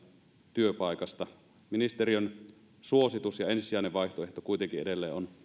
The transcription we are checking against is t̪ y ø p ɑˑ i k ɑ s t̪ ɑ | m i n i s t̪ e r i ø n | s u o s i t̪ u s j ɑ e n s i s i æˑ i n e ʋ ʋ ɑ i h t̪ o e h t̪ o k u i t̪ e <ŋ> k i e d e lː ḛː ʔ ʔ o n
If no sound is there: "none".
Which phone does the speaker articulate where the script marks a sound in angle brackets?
ŋ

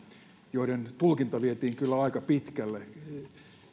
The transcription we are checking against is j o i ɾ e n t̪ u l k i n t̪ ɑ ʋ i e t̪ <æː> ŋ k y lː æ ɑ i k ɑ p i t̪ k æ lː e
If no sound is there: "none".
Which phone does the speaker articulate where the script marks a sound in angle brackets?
iː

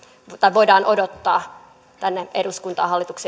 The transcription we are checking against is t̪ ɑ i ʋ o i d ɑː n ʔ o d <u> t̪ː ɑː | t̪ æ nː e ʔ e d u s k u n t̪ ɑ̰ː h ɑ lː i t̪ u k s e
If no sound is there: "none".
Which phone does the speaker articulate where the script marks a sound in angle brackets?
o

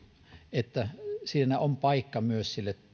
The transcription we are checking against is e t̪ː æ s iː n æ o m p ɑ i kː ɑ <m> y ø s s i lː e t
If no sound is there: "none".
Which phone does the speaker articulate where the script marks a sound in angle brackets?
m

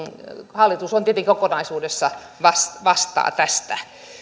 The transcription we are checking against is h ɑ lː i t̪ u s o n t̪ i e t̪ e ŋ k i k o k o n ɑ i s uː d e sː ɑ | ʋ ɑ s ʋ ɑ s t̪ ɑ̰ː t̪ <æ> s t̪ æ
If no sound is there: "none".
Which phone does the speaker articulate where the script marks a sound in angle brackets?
æ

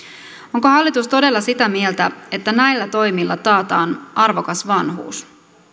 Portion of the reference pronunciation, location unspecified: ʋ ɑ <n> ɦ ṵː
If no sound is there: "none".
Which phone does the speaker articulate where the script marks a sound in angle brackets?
n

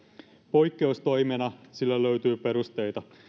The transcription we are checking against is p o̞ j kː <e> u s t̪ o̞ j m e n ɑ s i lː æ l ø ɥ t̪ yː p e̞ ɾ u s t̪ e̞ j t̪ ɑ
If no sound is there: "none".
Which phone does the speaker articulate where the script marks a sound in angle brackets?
e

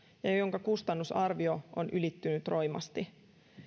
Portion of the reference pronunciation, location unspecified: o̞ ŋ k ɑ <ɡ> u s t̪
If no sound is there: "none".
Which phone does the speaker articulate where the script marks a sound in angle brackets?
k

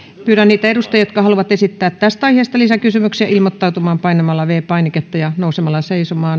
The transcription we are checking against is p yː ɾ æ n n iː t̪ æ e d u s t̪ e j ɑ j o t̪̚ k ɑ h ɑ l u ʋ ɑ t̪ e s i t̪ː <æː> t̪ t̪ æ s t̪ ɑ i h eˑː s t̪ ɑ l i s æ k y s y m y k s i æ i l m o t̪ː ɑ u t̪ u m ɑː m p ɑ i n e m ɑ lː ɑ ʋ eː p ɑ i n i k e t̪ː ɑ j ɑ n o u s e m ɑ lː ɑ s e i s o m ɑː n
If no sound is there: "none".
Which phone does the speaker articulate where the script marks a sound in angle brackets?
æː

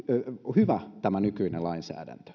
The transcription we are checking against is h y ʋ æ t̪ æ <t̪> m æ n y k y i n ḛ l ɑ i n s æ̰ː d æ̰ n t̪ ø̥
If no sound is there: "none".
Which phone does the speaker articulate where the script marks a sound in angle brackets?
none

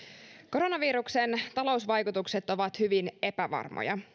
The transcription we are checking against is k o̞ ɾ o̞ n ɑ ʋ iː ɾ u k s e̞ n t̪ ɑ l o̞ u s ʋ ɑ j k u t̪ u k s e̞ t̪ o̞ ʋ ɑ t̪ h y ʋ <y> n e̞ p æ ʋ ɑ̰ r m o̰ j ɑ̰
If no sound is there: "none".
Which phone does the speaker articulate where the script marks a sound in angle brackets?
i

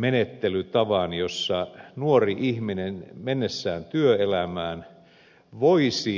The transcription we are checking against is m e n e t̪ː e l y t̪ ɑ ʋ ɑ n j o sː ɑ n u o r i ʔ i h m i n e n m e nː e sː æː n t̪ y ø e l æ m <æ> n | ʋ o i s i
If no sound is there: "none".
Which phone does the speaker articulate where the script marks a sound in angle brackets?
æː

